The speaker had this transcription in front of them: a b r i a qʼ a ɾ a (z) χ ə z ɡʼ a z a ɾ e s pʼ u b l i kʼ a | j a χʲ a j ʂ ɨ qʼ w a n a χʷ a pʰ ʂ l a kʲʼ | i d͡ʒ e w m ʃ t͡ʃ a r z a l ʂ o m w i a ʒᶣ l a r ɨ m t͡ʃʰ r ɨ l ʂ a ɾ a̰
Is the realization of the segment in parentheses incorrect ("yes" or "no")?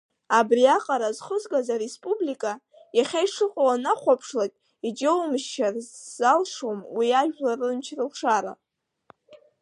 no